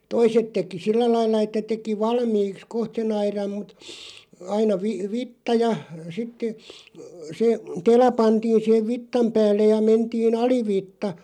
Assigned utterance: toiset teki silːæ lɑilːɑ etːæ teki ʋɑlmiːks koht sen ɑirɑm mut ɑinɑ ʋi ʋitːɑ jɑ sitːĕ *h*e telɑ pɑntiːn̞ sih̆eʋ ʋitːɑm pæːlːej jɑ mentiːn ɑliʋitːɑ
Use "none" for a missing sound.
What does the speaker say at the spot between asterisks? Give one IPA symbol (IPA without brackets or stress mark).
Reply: s